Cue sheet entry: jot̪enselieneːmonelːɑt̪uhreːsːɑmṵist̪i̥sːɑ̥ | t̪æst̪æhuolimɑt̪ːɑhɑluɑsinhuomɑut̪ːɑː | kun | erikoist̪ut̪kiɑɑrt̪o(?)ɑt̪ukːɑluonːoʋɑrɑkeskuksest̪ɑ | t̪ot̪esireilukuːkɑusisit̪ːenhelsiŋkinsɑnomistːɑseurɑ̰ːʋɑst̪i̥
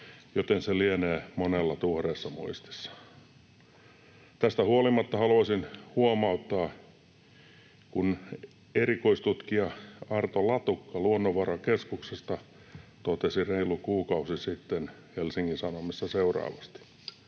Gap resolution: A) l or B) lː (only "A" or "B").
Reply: A